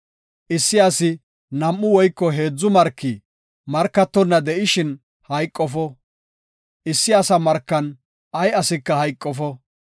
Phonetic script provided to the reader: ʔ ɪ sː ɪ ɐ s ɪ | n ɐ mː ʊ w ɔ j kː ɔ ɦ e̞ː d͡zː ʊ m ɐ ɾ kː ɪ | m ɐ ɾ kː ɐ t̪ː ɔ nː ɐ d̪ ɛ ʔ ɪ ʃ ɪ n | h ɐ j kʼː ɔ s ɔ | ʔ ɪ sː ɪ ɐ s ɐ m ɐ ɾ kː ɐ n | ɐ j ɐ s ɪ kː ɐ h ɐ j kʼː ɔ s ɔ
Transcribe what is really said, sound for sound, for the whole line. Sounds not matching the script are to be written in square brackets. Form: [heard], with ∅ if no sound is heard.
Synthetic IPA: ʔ ɪ sː ɪ ɐ s ɪ | n ɐ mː ʊ w ɔ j kː ɔ ɦ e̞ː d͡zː ʊ m ɐ ɾ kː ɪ | m ɐ ɾ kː ɐ t̪ː ɔ nː ɐ d̪ ɛ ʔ ɪ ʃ ɪ n | h ɐ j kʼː ɔ [f] ɔ | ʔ ɪ sː ɪ ɐ s ɐ m ɐ ɾ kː ɐ n | ɐ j ɐ s ɪ kː ɐ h ɐ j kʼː ɔ [f] ɔ